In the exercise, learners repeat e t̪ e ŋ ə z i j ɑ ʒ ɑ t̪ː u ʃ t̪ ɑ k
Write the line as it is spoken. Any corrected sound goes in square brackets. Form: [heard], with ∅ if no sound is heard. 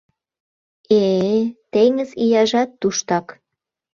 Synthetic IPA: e t̪ e ŋ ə z i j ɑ ʒ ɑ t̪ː u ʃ t̪ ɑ k